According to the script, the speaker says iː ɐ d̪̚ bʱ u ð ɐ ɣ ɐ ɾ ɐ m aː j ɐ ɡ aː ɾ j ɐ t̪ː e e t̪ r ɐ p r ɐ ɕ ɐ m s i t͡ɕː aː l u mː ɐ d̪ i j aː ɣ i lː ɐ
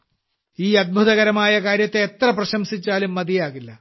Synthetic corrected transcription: iː ɐ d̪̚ bʱ u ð ɐ ɣ ɐ ɾ ɐ m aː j ɐ k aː ɾ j ɐ t̪ː e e t̪ r ɐ p r ɐ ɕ ɐ m s i t͡ɕː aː l u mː ɐ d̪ i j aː ɣ i lː ɐ